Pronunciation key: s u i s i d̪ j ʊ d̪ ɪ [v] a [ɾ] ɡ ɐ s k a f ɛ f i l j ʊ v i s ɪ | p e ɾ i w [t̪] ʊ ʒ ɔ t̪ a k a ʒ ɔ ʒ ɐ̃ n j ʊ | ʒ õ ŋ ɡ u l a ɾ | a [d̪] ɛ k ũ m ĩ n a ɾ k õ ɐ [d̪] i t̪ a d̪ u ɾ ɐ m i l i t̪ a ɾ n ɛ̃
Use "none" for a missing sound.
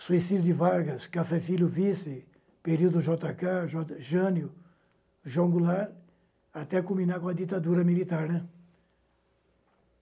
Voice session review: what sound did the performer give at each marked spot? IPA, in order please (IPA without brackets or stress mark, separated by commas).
v, ɾ, d̪, t̪, d̪